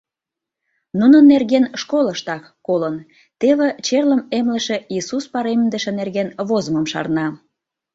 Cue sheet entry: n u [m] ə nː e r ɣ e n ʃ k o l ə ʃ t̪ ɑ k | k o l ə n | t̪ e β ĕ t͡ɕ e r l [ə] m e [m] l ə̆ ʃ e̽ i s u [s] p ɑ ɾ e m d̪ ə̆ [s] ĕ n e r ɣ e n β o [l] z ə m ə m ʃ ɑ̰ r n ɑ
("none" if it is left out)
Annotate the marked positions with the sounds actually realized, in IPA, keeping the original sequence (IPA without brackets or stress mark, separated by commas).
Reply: n, ə, m, s, ʃ, none